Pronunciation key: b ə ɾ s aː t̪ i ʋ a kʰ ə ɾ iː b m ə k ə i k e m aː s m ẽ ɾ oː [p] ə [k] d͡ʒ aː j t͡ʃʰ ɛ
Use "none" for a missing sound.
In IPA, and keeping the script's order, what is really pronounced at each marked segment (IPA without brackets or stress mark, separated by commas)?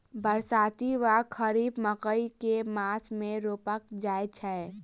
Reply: p, k